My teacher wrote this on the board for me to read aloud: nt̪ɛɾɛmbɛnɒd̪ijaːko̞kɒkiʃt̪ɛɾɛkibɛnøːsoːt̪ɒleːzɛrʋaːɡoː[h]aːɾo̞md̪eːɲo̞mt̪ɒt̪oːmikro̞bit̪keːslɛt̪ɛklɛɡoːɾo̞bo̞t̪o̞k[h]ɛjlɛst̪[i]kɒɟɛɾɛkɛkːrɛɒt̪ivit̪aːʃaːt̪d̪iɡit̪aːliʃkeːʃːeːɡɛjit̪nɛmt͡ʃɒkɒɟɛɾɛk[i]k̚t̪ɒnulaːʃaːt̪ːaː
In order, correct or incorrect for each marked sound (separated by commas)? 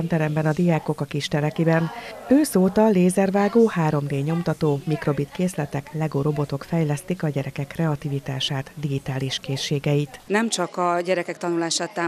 correct, incorrect, correct, incorrect